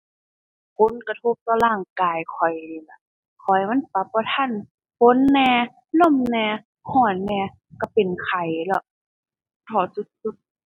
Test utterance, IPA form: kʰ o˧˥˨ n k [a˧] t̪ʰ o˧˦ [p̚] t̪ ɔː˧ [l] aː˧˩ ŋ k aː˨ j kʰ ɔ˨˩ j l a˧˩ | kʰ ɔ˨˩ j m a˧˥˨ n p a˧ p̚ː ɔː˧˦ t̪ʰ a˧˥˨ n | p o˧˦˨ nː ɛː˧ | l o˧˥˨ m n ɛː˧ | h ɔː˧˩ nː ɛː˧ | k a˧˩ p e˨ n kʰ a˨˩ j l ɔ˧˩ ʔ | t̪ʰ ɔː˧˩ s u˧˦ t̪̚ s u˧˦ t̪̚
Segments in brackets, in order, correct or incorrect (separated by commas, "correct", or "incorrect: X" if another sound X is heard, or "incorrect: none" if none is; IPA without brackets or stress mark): correct, correct, correct